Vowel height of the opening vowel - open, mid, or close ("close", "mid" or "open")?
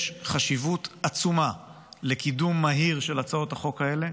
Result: open